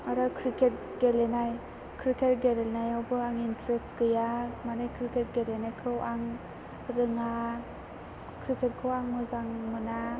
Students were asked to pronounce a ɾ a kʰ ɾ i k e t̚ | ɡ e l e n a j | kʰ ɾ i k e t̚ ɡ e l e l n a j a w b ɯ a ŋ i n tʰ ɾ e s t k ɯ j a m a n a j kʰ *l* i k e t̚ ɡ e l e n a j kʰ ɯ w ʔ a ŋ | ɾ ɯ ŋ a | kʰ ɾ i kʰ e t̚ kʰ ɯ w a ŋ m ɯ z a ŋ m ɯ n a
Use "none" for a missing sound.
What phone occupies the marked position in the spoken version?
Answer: ɾ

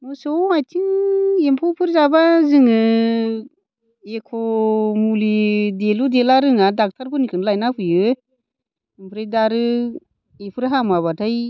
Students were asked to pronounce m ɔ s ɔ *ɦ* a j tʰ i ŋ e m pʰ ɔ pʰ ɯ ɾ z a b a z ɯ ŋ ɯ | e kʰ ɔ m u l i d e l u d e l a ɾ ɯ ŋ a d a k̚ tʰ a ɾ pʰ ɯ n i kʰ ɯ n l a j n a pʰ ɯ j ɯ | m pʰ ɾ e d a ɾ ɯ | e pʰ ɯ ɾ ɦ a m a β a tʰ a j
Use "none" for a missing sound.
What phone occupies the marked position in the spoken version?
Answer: none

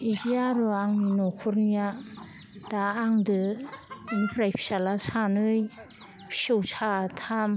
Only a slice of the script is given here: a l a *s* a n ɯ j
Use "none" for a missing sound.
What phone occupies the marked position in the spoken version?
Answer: s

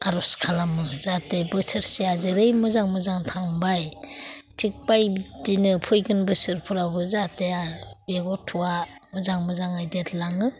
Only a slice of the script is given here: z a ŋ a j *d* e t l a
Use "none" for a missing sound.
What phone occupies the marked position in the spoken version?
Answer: d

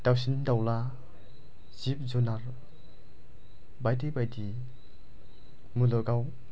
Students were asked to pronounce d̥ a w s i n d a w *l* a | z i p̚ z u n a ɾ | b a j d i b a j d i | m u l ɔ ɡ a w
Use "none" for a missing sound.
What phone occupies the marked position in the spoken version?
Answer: l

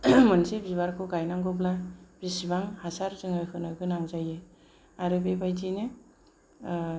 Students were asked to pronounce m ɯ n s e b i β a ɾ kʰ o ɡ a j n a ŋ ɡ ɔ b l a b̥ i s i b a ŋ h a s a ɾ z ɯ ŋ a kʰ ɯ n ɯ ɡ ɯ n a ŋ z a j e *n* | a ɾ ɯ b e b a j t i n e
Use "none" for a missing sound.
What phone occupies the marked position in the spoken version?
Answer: none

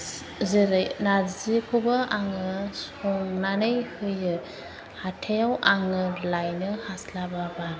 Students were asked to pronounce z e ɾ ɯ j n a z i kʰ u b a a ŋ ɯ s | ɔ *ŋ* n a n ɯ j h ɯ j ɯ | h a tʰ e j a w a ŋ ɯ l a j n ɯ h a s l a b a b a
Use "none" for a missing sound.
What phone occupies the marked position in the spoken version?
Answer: ŋ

